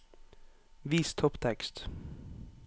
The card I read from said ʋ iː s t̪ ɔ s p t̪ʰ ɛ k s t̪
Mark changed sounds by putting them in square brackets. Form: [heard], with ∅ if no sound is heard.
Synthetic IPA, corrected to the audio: ʋ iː s [t̪ʰ] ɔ [∅] p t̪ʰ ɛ k s t̪